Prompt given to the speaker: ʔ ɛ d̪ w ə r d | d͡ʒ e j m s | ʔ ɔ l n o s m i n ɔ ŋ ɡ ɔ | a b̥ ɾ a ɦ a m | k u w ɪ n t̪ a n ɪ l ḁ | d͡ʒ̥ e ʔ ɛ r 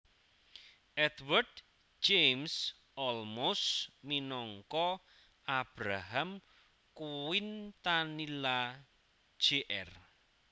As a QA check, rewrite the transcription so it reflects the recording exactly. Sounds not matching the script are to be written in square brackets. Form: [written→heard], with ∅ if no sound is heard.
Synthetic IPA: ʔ ɛ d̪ w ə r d | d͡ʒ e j m s | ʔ ɔ l [n→m] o s m i n ɔ ŋ [ɡ→k] ɔ | a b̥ ɾ a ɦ a m | k u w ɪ n t̪ a n [ɪ→i] l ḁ | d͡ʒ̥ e ʔ ɛ r